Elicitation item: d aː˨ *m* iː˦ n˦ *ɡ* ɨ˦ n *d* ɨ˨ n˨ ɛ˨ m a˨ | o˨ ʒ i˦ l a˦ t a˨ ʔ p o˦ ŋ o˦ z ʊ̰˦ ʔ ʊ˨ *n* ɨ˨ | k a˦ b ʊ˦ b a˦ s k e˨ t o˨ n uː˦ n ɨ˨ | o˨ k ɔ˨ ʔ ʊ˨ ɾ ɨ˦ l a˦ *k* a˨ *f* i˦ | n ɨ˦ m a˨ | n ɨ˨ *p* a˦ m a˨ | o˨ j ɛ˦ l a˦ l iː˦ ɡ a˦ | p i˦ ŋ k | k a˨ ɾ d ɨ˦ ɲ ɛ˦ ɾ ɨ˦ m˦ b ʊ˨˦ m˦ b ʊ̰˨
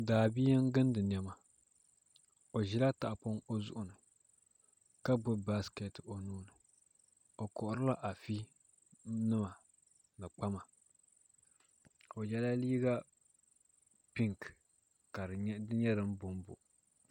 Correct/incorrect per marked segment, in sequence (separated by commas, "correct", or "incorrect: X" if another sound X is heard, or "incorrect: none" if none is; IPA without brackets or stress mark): incorrect: b, correct, correct, correct, incorrect: ʔ, correct, incorrect: k͡p